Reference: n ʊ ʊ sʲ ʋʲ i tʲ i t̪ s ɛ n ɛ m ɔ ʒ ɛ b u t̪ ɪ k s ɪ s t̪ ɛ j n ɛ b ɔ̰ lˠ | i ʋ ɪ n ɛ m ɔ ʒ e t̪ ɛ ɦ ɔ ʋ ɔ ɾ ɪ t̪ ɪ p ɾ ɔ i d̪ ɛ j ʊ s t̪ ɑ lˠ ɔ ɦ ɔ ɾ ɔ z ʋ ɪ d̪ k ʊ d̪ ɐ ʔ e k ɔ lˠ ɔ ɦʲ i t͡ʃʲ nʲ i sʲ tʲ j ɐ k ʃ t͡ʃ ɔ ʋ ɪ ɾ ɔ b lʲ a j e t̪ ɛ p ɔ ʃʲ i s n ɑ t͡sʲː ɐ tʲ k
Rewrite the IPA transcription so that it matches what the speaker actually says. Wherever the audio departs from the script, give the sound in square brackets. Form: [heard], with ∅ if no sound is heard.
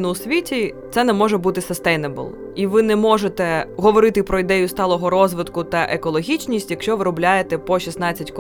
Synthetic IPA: n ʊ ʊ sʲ ʋʲ i tʲ i t̪ s ɛ n ɛ m ɔ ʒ ɛ b u t̪ ɪ [∅] s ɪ s t̪ ɛ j n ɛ b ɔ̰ lˠ | i ʋ ɪ n ɛ m ɔ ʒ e t̪ ɛ ɦ ɔ ʋ ɔ ɾ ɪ t̪ ɪ p ɾ ɔ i d̪ ɛ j ʊ s t̪ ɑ lˠ ɔ ɦ ɔ ɾ ɔ z ʋ ɪ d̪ k ʊ [t̪] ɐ ʔ e k ɔ lˠ ɔ ɦʲ i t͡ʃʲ nʲ i sʲ tʲ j ɐ k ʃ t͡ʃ ɔ ʋ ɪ ɾ ɔ b lʲ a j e t̪ ɛ p ɔ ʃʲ i s n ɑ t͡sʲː ɐ tʲ k